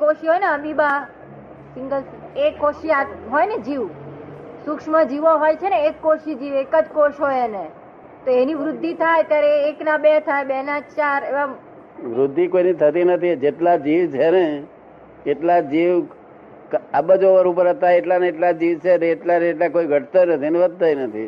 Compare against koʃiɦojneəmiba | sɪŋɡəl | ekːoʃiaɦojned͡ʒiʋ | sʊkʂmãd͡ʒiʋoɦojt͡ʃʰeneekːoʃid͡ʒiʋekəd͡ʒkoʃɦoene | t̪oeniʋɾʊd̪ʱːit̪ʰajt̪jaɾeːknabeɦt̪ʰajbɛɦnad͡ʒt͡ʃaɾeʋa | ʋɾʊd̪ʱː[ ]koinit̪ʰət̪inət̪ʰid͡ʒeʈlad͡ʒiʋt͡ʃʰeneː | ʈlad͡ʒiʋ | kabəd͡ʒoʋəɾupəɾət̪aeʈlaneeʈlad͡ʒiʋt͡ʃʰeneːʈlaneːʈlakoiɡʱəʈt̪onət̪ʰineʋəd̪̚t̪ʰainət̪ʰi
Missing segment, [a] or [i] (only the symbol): i